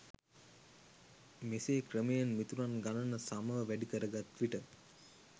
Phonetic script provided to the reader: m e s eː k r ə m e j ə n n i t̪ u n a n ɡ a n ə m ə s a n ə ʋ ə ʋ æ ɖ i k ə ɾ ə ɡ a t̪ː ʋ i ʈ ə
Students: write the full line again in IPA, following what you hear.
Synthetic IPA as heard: m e s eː k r ə m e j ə n m i t̪ u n a n ɡ a n ə n ə s a m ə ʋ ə ʋ æ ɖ i k ə ɾ ə ɡ a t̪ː ʋ i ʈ ə